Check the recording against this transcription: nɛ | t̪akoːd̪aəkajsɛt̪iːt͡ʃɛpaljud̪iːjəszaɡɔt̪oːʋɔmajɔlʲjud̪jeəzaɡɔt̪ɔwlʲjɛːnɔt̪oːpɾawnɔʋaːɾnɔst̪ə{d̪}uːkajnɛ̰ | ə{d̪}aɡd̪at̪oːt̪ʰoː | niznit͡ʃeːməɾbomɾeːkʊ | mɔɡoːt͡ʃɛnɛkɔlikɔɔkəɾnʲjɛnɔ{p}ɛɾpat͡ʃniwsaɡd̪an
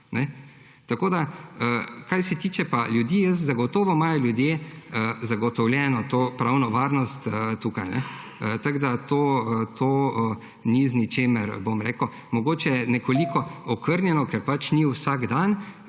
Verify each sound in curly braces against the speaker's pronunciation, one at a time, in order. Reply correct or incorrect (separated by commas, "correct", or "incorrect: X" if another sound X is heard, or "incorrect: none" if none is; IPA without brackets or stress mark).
incorrect: t̪, incorrect: t̪, incorrect: k